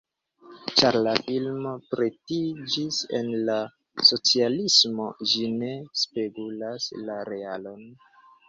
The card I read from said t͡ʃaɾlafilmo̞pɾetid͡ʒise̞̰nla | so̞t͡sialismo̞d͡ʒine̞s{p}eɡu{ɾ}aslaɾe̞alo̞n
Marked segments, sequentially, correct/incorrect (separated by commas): correct, incorrect